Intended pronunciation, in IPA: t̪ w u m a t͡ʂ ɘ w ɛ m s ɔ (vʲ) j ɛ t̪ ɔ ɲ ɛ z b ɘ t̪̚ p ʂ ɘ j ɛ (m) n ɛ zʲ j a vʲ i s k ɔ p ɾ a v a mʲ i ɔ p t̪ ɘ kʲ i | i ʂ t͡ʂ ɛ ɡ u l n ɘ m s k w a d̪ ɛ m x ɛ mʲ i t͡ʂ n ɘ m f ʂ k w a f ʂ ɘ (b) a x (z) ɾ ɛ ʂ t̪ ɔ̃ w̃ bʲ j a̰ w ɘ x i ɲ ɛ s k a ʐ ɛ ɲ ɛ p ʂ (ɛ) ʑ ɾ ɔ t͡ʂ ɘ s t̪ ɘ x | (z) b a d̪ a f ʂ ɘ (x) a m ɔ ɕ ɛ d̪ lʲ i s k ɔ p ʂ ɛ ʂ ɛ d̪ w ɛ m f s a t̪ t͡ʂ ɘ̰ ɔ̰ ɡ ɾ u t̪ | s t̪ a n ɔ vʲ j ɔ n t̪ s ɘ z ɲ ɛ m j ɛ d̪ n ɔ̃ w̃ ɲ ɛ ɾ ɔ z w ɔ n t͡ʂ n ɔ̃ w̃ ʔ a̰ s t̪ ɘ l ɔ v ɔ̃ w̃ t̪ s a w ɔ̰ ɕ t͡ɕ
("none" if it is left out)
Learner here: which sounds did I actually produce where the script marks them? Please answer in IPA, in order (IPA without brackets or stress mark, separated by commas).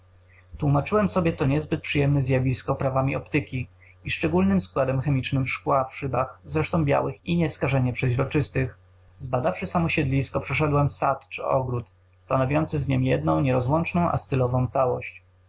bʲ, m, b, z, ɛ, z, s